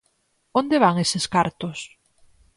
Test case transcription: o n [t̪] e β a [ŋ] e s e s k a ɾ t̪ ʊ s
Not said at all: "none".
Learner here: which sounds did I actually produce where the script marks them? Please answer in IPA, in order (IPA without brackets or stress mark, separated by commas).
d̪, ŋ